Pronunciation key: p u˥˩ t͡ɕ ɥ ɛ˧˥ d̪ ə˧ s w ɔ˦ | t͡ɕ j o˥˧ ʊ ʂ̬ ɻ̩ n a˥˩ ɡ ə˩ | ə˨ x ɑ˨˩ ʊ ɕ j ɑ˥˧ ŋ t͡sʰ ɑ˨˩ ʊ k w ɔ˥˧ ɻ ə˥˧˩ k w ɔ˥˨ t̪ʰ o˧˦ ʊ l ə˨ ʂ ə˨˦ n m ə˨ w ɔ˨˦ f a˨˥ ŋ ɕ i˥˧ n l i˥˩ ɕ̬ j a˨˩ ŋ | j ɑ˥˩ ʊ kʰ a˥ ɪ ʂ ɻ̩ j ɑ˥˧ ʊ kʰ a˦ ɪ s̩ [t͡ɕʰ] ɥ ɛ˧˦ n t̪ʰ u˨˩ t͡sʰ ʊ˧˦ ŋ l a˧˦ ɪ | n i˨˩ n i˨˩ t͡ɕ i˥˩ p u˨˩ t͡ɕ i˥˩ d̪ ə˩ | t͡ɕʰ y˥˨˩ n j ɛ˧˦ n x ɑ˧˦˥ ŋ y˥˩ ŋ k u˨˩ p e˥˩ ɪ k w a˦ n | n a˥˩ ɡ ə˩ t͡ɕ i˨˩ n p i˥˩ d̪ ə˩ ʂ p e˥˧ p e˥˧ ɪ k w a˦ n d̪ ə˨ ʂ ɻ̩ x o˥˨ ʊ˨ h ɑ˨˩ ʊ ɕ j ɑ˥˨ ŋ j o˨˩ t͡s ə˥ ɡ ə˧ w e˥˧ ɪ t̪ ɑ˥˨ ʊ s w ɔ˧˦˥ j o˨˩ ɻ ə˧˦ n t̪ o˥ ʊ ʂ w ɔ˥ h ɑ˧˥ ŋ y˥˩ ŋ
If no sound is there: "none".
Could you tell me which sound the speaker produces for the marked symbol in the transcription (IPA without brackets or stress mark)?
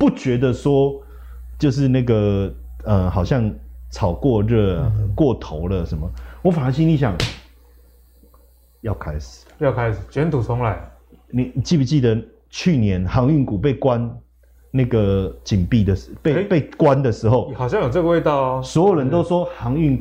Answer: t͡ɕ